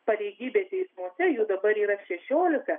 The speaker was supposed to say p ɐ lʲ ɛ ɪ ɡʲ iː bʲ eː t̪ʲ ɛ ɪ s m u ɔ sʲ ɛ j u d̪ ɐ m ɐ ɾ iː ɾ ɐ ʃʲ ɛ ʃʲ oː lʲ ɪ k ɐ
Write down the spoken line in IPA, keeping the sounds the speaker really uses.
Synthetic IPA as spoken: p ɐ lʲ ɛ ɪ ɡʲ iː bʲ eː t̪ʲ ɛ ɪ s m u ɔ sʲ ɛ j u d̪ ɐ b ɐ ɾ iː ɾ ɐ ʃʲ ɛ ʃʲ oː lʲ ɪ k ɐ